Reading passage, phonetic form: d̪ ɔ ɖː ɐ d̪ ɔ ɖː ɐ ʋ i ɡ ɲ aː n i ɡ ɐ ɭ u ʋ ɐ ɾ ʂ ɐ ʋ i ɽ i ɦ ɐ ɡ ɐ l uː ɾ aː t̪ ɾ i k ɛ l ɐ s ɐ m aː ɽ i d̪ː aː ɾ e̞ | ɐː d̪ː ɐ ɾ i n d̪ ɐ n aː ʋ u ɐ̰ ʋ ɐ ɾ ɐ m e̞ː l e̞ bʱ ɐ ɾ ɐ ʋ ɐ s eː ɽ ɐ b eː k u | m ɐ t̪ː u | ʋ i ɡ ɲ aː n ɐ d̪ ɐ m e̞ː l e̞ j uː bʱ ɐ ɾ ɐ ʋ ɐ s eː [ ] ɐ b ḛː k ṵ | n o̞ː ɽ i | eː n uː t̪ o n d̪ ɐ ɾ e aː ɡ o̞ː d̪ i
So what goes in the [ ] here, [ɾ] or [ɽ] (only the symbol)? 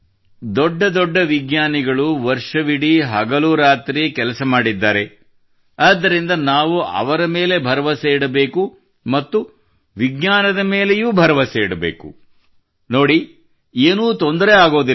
ɽ